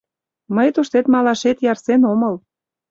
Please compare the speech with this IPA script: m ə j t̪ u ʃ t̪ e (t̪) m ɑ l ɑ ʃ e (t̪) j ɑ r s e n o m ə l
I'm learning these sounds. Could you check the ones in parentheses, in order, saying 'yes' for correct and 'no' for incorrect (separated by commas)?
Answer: yes, yes